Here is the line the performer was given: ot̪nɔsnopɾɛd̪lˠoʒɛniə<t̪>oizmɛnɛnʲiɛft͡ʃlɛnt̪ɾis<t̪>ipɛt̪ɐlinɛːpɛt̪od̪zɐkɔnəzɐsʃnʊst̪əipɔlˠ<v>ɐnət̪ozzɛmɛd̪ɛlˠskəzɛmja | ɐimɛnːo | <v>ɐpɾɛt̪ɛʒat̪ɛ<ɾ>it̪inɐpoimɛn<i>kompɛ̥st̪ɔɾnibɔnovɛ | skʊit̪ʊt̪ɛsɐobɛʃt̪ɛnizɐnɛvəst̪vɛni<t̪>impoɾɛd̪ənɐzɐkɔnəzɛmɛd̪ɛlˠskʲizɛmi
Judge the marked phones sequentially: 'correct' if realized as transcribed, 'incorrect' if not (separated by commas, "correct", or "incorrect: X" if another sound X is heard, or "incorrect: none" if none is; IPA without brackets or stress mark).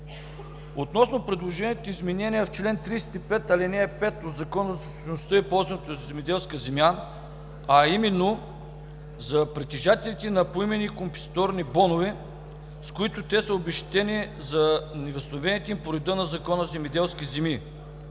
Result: correct, correct, incorrect: z, incorrect: z, incorrect: l, correct, correct